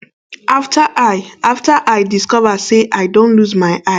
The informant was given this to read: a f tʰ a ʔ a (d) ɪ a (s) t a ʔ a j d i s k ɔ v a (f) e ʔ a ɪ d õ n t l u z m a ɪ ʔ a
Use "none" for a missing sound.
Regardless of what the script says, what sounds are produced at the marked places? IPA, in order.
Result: none, f, s

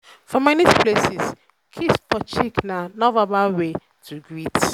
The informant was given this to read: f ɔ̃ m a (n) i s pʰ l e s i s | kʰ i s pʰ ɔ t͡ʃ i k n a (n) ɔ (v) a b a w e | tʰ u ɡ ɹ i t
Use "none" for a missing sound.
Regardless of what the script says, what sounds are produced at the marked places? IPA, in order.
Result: n, n, v

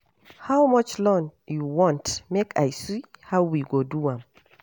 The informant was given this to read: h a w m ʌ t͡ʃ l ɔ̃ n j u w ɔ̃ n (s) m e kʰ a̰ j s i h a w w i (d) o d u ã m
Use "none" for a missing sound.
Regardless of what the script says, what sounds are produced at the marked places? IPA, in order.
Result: t, ɡ

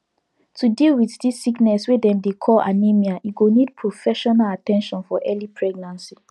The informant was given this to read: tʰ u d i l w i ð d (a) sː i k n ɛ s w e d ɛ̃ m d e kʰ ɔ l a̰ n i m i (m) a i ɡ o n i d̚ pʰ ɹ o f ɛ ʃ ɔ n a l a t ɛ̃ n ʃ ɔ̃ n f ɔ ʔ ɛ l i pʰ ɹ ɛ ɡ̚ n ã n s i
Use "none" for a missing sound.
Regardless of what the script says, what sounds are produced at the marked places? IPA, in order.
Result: i, none

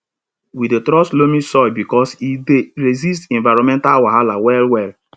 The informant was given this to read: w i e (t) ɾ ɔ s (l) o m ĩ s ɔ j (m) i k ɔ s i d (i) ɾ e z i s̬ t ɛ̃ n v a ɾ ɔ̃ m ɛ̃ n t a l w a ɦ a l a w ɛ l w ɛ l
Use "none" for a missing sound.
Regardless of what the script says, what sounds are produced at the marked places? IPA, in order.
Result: t, l, b, e

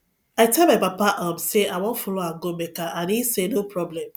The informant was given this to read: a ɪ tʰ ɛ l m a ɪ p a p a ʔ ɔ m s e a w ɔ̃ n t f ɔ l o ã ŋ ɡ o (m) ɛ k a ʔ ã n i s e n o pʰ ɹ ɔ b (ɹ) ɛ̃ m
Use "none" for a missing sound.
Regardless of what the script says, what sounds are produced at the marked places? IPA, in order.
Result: m, l

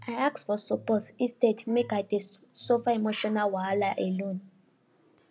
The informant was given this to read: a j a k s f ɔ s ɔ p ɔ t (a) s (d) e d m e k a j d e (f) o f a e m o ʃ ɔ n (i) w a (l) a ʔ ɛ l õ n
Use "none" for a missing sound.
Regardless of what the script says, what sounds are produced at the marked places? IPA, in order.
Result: i, t, s, a, l

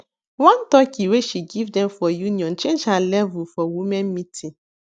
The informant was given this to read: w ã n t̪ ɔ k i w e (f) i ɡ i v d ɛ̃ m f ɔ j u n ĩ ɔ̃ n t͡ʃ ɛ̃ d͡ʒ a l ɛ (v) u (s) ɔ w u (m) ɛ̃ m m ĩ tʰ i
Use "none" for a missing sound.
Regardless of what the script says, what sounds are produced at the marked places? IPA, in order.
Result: ʃ, v, f, m

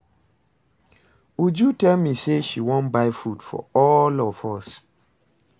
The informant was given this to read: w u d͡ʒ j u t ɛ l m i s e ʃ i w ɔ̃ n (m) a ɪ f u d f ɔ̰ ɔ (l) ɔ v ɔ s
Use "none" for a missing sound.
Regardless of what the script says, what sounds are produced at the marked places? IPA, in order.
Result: b, l

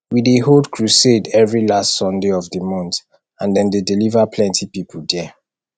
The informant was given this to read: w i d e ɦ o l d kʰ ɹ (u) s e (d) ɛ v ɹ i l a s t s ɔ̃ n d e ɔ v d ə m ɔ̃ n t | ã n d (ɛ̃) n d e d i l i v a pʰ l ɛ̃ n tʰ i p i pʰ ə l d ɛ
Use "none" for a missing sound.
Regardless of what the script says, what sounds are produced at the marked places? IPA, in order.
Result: u, d, ɛ̃

